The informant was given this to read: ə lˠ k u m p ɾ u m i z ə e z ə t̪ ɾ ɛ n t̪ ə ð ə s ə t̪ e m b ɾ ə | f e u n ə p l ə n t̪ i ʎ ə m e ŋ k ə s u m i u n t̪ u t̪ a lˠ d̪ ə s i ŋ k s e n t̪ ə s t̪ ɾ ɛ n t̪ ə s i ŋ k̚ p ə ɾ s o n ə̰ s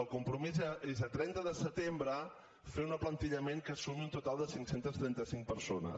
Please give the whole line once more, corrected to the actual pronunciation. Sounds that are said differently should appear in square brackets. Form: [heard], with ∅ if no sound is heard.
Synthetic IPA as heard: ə lˠ k u m p ɾ u m i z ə e z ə t̪ ɾ ɛ n t̪ ə ð ə s ə t̪ e m b ɾ ə | f e u n ə p l ə n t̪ i ʎ ə m e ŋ k ə s u m i u n t̪ u t̪ a lˠ d̪ ə s i ŋ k s e n t̪ ə s t̪ ɾ ɛ n t̪ ə s i ŋ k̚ p ə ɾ s o n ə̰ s

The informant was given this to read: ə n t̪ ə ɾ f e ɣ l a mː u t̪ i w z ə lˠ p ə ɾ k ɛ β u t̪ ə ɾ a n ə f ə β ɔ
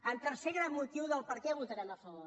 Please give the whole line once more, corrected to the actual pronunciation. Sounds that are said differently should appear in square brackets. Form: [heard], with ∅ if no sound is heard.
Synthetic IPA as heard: ə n t̪ ə ɾ [s] e ɣ [ɾ] a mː u t̪ i w [ð] ə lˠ p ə ɾ k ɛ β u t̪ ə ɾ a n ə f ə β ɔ

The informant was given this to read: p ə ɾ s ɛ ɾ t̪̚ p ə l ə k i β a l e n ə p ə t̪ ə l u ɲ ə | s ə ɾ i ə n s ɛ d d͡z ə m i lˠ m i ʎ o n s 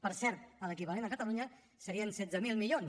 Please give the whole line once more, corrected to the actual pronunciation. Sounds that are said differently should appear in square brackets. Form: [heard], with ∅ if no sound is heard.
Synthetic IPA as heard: p ə ɾ s ɛ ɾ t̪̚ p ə l ə k i β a l e n ə [k] ə t̪ ə l u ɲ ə | s ə ɾ i ə n s ɛ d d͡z ə m i lˠ m i ʎ o n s

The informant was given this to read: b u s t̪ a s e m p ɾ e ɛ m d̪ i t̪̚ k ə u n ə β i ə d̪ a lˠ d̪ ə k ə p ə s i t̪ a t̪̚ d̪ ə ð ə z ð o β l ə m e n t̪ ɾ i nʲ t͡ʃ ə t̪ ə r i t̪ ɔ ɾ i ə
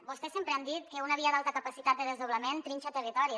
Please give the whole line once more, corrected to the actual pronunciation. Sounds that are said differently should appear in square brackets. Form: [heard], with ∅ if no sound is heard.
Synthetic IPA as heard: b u s t̪ [ɛ] s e m p ɾ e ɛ m d̪ i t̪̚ k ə u n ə β i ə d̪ a lˠ [t̪] ə k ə p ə s i t̪ a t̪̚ d̪ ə ð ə z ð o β l ə m e n t̪ ɾ i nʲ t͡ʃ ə t̪ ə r i t̪ ɔ ɾ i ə

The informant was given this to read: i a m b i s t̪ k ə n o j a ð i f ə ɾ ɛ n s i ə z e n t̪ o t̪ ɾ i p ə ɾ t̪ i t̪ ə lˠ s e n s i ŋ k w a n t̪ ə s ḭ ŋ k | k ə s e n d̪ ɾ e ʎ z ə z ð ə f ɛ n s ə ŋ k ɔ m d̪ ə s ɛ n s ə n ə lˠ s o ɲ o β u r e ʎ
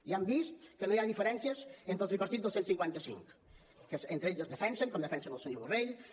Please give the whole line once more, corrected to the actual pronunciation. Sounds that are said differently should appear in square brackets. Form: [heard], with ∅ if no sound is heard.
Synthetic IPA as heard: i a m b i s t̪ k ə n o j a ð i f ə ɾ ɛ n s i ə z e n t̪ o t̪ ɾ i p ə ɾ t̪ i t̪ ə lˠ s e n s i ŋ k w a n t̪ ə s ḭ ŋ k | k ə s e n [t̪] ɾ e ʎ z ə z ð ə f ɛ n s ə ŋ k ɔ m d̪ ə [f] ɛ n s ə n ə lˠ s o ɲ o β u r e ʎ

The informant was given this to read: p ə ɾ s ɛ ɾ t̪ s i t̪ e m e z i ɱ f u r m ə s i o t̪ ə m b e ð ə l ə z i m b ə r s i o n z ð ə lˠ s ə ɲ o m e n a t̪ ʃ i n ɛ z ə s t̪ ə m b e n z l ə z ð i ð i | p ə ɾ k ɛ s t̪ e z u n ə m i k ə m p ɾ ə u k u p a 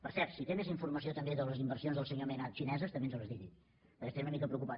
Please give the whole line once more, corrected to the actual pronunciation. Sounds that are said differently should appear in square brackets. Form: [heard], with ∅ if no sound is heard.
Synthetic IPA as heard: p ə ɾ s ɛ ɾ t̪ s i t̪ e m e z i ɱ f u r m ə s i o t̪ ə m b e ð ə l ə z i m b ə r s i o n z ð ə lˠ s ə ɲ o m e n a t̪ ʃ i n ɛ z ə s t̪ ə m b e n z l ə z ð i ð i | p ə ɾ k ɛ s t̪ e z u n ə m i k ə [∅] p ɾ ə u k u p a

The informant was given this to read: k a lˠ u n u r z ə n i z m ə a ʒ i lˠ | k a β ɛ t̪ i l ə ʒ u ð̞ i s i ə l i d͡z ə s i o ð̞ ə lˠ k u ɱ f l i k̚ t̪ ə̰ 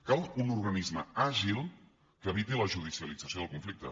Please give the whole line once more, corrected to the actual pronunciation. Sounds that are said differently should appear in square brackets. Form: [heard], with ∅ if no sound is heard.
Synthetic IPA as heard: k a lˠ u n u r [ɣ] ə n i z m ə a ʒ i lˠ | k [ə] β [i] t̪ i l ə ʒ u ð̞ i s i ə l i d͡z ə s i o ð̞ ə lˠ k u ɱ f l i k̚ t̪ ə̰

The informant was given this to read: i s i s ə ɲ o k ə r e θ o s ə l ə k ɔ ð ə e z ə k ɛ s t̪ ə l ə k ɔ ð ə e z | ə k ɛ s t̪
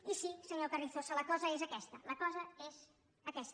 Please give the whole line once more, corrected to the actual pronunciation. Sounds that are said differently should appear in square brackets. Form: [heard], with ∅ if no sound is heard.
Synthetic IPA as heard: i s i s ə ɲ o k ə r [i] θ o s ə l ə k ɔ [z] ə e z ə k ɛ s t̪ ə l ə k ɔ [z] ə e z | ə k ɛ s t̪

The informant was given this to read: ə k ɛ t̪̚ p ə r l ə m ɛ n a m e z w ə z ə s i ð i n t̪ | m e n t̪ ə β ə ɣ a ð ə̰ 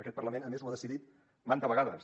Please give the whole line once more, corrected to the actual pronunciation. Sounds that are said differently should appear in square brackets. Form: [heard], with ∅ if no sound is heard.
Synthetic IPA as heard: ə k ɛ t̪̚ p ə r l ə m [e] n [ə] m e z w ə [ð] ə s i ð i [∅] t̪ | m [a] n t̪ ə β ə ɣ a ð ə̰

